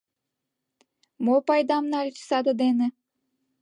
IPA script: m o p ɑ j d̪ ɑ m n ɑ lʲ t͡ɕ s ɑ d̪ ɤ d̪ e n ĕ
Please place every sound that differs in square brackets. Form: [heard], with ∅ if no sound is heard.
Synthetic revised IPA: m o p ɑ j d̪ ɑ m n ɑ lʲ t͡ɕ s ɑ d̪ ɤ d̪ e n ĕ